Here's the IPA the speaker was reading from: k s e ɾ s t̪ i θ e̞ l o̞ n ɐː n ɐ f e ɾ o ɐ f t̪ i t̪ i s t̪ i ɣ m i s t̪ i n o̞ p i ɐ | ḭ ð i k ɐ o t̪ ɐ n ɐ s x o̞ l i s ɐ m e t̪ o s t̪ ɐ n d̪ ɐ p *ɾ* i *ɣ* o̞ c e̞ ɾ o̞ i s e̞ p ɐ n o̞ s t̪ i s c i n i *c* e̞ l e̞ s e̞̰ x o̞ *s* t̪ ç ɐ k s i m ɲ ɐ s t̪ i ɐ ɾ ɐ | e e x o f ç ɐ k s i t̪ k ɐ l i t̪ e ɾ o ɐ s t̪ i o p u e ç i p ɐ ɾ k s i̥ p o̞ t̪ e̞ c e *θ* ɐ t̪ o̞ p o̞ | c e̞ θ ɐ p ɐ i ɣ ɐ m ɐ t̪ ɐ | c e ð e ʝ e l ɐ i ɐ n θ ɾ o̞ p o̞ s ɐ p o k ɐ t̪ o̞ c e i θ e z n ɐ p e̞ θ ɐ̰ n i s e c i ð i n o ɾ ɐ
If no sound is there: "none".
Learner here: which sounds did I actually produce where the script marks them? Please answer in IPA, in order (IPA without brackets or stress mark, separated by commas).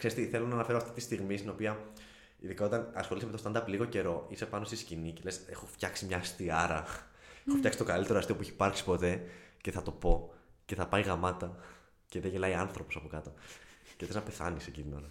l, ɣ, c, f, θ